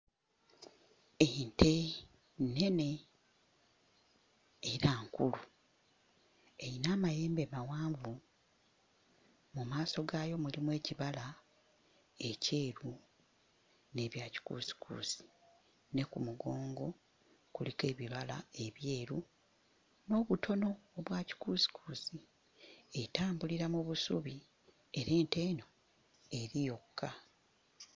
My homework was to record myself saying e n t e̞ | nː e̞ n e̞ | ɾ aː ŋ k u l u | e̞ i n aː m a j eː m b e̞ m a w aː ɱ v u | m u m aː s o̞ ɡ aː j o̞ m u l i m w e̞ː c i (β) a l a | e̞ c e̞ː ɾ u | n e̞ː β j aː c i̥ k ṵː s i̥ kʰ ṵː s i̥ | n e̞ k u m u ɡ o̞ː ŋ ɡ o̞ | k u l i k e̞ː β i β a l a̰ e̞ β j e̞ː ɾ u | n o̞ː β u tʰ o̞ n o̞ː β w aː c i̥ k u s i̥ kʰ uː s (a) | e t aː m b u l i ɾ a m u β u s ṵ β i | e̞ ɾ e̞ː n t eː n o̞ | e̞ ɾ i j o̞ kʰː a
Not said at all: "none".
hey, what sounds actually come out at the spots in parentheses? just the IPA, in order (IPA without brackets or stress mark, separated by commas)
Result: β, i